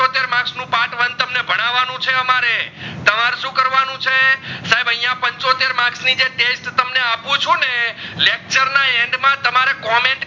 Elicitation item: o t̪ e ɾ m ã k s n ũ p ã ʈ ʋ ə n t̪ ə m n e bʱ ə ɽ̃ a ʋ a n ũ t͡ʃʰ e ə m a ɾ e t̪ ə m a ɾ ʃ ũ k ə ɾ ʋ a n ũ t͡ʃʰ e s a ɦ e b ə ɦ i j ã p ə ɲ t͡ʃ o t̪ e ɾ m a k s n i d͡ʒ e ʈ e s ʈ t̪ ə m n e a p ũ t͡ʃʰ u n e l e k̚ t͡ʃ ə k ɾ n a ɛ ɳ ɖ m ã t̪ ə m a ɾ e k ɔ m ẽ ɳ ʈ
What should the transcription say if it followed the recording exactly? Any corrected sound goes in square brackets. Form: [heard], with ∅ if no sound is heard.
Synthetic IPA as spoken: o t̪ e ɾ m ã k s n ũ p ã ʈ ʋ ə n t̪ ə m n e bʱ ə ɽ̃ a ʋ a n ũ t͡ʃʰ e ə m a ɾ e t̪ ə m a ɾ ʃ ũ k ə ɾ ʋ a n ũ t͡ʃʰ e s a ɦ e b ə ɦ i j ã p ə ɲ t͡ʃ o t̪ e ɾ m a k s n i d͡ʒ e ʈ e s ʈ t̪ ə m n e a p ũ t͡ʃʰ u n e l e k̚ t͡ʃ ə [∅] ɾ n a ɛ ɳ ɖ m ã t̪ ə m a ɾ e k ɔ m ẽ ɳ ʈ